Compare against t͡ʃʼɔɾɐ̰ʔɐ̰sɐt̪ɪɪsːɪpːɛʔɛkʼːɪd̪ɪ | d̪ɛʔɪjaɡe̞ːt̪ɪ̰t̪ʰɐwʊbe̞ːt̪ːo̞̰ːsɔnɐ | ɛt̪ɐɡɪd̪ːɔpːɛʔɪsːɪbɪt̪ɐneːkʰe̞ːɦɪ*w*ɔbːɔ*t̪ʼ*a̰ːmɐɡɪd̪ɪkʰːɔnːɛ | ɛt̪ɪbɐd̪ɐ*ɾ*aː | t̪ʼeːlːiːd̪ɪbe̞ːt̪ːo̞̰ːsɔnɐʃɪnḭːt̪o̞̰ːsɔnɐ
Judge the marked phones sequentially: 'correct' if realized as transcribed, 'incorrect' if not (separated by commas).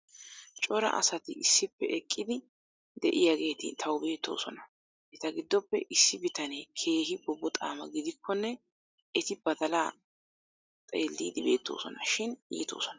incorrect, correct, incorrect